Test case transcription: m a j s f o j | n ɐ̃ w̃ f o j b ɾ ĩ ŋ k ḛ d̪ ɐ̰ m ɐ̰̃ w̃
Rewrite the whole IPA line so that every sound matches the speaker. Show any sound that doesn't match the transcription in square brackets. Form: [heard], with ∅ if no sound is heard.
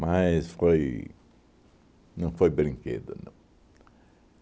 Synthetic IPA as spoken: m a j s f o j | n ɐ̃ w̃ f o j b ɾ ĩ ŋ k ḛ d̪ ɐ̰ [n] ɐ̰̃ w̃